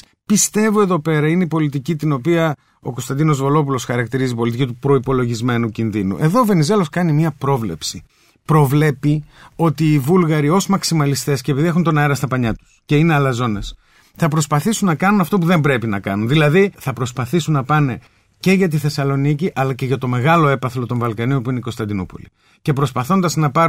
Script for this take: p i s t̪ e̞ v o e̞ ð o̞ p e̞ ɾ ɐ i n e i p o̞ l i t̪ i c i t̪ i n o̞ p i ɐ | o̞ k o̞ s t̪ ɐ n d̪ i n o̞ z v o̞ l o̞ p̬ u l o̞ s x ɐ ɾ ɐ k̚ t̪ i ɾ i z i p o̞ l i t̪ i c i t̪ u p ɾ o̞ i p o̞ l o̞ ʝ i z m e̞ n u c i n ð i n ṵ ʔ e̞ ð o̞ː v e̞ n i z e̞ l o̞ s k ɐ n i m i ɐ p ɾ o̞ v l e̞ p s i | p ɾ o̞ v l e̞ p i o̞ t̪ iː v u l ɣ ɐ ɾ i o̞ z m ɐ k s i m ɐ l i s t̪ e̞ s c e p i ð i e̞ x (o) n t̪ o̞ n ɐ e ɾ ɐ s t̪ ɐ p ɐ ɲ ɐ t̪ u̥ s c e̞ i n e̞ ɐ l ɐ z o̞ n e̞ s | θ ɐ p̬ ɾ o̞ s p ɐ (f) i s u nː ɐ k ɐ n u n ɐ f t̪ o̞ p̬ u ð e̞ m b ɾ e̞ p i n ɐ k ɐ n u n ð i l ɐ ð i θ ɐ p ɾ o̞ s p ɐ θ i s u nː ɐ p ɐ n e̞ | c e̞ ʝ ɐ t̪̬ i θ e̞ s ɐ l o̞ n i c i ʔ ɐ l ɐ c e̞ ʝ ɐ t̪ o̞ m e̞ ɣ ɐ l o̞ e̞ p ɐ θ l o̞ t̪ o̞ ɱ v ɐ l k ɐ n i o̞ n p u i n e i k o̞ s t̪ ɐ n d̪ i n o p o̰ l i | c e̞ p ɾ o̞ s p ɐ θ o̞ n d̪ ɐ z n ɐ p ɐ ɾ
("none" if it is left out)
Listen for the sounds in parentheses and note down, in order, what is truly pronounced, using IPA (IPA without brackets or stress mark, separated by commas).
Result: u, θ